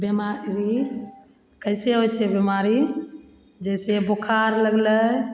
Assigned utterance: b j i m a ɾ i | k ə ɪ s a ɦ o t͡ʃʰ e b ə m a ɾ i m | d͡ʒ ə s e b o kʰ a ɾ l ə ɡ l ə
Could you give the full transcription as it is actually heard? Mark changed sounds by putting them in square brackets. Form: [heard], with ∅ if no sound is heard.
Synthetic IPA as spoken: b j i m a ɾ i | k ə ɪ s [e] ɦ o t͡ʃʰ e b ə m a ɾ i [∅] | d͡ʒ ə s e b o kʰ a ɾ l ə ɡ l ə